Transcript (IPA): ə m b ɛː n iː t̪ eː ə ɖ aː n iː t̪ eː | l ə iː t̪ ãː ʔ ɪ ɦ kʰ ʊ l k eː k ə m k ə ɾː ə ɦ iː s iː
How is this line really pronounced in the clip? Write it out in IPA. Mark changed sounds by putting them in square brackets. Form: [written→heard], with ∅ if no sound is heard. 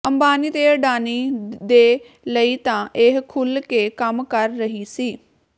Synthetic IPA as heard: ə m b [ɛː→aː] n iː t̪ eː ə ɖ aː n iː [t̪→d̪] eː | l ə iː t̪ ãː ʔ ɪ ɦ kʰ ʊ l k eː k ə m k ə ɾː ə ɦ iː s iː